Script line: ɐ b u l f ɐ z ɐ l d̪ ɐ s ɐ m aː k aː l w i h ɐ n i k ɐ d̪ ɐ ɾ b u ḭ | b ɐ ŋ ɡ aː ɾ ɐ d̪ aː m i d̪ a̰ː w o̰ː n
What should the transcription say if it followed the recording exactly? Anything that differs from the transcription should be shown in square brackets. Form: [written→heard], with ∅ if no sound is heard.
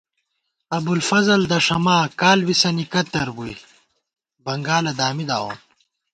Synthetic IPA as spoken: ɐ b u l f ɐ z ɐ l d̪ ɐ [s→ʂ] ɐ m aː k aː l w i [h→s] ɐ n i k ɐ [d̪→t̪] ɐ ɾ b u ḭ | b ɐ ŋ ɡ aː [ɾ→l] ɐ d̪ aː m i d̪ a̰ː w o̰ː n